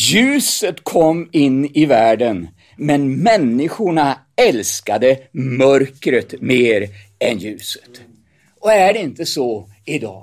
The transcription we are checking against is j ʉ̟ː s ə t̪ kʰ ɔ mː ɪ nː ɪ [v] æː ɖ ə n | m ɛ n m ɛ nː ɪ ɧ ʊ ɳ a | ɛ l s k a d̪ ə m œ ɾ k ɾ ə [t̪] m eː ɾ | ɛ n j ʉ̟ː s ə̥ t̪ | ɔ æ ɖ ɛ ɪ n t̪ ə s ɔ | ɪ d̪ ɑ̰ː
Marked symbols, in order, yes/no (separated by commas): yes, yes